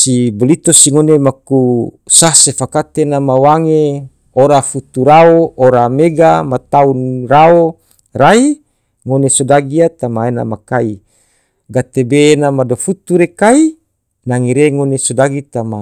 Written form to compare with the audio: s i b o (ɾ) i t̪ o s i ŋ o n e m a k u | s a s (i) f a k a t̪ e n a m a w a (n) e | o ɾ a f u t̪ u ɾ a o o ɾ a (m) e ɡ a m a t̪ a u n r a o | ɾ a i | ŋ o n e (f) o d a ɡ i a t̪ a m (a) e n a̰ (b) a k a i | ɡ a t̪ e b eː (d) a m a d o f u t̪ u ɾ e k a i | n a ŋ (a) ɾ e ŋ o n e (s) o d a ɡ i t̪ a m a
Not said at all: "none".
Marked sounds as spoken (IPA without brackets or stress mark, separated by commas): l, e, ŋ, m, s, a, m, n, i, s